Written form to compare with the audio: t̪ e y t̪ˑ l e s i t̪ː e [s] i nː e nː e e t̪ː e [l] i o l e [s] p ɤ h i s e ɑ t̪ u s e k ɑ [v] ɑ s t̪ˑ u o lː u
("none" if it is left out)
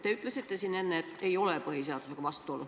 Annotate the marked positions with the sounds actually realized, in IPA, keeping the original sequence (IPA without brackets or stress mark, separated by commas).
s, none, none, ʋ